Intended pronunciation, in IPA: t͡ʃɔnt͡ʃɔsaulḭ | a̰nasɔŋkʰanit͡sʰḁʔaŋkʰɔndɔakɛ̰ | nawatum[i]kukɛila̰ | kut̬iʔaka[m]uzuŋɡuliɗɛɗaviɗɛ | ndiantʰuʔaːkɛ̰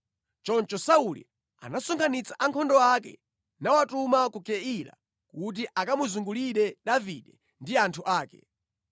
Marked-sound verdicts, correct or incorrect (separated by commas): incorrect, correct